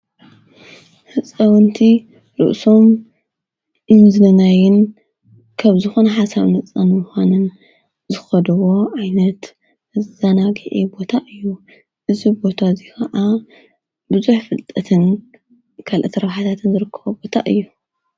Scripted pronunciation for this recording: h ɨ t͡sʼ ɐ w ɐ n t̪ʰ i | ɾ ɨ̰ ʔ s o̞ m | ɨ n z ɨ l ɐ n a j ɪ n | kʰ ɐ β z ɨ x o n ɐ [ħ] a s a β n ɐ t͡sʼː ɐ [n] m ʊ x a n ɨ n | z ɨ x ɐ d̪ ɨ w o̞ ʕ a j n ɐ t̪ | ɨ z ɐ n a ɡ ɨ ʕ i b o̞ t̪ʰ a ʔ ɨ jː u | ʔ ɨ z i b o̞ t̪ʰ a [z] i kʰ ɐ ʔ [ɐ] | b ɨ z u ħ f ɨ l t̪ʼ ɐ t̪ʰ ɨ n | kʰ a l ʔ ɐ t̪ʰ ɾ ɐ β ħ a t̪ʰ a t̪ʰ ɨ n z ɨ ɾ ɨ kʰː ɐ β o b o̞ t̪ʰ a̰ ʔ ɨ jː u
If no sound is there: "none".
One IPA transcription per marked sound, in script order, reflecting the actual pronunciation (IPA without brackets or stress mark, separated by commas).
ħ, n, z, a